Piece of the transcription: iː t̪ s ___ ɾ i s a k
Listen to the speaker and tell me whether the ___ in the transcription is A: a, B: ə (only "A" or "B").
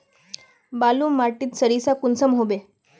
B